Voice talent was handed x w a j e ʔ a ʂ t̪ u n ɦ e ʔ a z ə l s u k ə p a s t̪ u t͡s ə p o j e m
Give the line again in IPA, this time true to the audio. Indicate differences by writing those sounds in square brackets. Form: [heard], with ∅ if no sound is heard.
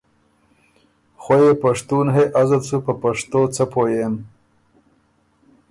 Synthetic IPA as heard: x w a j e [p] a ʂ t̪ u n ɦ e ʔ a z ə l s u [p] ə p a [ʂ] t̪ [o] t͡s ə p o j e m